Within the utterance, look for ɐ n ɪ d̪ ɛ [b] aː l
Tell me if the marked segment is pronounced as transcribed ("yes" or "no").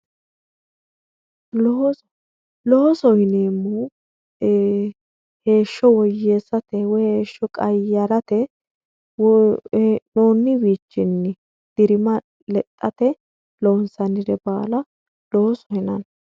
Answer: yes